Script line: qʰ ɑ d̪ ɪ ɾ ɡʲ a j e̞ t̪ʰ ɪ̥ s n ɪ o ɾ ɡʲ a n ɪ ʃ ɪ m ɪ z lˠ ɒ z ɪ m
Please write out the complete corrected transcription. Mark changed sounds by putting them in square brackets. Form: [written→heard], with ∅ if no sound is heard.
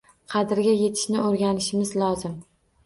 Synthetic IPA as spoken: qʰ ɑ d̪ ɪ ɾ ɡʲ a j e̞ t̪ʰ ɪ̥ [s→ʃ] n ɪ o ɾ ɡʲ a n ɪ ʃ ɪ m ɪ z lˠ ɒ z ɪ m

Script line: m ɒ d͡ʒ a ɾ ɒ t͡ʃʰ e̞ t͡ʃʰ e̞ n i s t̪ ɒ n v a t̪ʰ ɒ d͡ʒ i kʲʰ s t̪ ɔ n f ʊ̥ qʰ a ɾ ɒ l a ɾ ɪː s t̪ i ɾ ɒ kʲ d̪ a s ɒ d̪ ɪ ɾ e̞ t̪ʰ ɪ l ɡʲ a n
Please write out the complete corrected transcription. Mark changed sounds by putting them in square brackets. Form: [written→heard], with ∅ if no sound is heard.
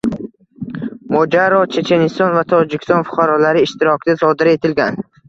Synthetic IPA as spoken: m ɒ d͡ʒ a ɾ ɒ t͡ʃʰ e̞ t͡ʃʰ e̞ n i s t̪ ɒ n v a t̪ʰ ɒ d͡ʒ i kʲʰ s t̪ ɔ n f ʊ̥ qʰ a ɾ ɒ l a ɾ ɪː [s→ʃ] t̪ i ɾ ɒ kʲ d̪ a s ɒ d̪ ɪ ɾ e̞ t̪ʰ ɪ l ɡʲ a n

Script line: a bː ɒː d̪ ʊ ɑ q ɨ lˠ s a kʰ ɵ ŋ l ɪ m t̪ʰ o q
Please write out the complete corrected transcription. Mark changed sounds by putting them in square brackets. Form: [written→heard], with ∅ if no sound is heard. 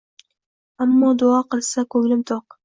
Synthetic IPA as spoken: a [bː→mː] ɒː d̪ ʊ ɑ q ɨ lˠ s a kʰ ɵ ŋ l ɪ m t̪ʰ o q

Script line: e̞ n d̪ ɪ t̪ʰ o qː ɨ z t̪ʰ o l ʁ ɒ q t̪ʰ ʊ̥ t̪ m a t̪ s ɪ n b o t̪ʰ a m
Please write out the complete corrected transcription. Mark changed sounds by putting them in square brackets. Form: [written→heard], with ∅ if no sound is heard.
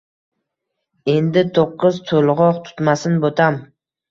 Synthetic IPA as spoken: e̞ n d̪ ɪ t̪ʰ o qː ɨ z t̪ʰ o l ʁ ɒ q t̪ʰ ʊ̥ t̪ m a [t̪→∅] s ɪ n b o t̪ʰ a m

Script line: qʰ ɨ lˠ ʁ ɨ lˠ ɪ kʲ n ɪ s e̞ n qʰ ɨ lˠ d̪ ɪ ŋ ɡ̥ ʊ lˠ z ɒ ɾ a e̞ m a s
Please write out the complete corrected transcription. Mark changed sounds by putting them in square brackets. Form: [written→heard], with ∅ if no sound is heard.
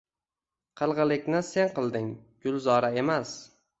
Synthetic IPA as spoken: qʰ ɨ lˠ ʁ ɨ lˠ ɪ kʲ n ɪ s e̞ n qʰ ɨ lˠ d̪ ɪ ŋ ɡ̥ ʊ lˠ z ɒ ɾ a e̞ m a s

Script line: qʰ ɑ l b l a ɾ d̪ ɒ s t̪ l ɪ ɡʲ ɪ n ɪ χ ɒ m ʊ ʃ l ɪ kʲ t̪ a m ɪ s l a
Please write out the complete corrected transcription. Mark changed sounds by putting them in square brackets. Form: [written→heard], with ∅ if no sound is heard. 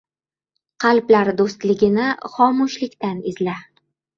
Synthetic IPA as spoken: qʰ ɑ l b l a ɾ d̪ [ɒ→o] s t̪ l ɪ ɡʲ ɪ n ɪ χ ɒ m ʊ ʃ l ɪ kʲ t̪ a [m→n] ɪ [s→z] l a

